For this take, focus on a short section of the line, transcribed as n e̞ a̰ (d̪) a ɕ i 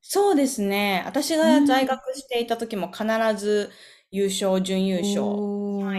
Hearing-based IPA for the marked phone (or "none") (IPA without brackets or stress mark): t̪